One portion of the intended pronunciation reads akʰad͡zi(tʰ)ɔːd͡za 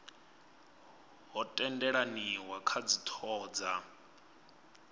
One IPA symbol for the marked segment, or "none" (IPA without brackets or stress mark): tʰ